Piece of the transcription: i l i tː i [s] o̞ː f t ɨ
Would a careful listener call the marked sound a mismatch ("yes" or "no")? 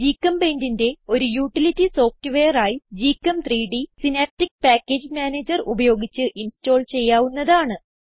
no